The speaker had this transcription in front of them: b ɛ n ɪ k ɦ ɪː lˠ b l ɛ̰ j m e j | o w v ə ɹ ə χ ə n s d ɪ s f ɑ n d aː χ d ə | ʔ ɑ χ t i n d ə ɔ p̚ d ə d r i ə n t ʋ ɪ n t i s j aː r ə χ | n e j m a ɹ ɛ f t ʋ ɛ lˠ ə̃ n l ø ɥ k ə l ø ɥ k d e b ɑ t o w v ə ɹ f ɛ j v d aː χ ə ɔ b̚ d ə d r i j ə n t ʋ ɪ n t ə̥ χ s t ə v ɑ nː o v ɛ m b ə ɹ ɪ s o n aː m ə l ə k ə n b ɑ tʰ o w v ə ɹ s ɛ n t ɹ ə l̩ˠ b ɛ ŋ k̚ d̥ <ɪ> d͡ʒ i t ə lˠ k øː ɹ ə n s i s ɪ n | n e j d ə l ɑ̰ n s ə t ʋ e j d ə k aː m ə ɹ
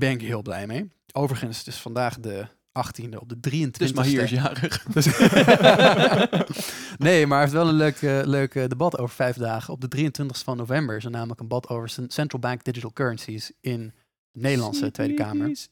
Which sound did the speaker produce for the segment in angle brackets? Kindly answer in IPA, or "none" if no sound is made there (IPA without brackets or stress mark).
ɪ